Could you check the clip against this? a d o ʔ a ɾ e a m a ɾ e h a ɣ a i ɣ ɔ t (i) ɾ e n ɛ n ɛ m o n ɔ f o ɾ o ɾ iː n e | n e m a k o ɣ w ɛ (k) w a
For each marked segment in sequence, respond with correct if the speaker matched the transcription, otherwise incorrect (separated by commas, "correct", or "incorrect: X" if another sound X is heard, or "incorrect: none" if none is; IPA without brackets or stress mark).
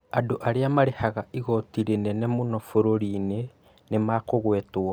correct, incorrect: t